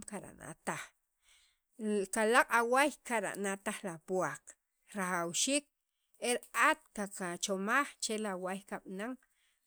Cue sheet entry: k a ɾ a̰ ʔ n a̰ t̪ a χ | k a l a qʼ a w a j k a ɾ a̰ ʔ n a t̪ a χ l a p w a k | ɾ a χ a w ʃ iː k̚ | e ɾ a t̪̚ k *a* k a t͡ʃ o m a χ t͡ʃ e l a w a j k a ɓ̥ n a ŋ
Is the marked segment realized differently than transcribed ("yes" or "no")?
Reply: no